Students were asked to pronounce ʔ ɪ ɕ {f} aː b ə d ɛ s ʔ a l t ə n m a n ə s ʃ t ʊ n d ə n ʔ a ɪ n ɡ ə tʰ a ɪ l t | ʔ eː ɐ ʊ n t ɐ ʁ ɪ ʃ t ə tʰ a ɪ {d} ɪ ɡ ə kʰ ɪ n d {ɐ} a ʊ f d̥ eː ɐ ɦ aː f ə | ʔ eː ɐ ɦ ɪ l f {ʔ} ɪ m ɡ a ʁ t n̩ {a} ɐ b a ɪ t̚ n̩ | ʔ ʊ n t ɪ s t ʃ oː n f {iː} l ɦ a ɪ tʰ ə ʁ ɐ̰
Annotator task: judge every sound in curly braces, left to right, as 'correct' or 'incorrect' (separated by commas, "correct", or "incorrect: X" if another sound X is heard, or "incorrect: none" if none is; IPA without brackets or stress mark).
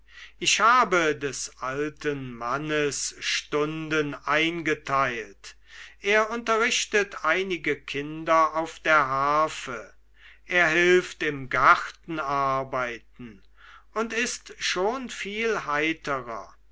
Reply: incorrect: h, incorrect: n, correct, incorrect: t, correct, correct